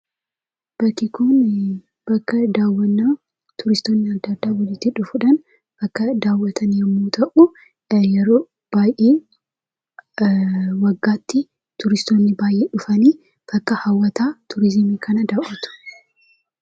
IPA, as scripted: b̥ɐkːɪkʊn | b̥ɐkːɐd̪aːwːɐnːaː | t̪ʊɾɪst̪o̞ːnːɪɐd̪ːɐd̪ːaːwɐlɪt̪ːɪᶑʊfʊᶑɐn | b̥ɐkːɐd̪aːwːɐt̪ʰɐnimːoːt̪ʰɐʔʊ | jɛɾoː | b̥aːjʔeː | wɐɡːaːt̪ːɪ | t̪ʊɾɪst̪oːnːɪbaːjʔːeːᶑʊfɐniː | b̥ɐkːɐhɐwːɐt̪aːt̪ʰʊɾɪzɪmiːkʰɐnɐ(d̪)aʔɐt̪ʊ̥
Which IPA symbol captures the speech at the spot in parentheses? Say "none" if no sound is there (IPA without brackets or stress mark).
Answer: d̪